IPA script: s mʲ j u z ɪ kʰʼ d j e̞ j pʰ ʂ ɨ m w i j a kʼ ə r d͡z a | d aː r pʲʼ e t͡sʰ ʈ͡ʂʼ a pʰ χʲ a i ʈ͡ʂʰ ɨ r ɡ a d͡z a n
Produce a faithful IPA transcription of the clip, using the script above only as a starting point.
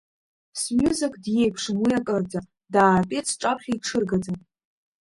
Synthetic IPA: s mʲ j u z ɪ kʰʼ d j e̞ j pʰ ʂ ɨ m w i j a kʼ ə r d͡z a | d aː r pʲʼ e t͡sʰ ʈ͡ʂʼ a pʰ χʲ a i ʈ͡ʂʰ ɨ r ɡ a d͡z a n